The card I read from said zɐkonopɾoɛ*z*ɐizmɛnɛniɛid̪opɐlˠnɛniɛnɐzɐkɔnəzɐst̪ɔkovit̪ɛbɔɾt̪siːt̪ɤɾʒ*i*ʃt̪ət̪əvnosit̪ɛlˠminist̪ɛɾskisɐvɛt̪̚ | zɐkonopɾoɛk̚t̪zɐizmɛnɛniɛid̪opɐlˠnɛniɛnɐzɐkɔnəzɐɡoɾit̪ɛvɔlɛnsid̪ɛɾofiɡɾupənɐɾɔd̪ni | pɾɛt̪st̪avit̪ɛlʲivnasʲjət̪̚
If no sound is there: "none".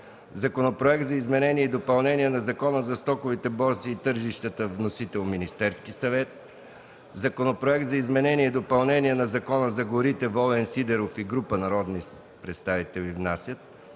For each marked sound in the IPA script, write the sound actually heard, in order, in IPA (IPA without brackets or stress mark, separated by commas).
z, i